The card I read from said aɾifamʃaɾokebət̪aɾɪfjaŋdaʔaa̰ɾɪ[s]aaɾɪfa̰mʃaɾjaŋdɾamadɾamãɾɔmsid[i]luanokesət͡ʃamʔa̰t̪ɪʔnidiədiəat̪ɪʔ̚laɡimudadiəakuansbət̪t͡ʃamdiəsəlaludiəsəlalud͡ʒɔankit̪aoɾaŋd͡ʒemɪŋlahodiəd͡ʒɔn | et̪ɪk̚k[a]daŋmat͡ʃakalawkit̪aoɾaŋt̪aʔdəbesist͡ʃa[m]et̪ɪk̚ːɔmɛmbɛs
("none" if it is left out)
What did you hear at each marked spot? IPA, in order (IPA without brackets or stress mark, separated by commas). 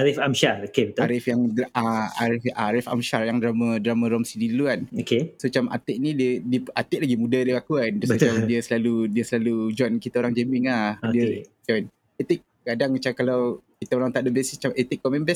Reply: f, i, a, m